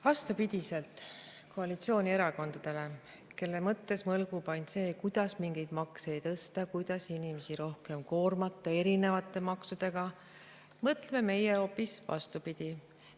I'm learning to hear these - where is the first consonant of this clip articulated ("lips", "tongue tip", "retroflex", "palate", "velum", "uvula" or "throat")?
lips